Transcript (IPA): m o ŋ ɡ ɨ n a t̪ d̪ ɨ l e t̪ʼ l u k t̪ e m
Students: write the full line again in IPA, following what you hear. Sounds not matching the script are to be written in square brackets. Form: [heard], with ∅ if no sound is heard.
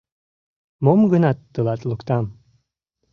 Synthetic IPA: m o [m] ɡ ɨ n a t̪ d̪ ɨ l [a] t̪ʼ l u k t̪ [a] m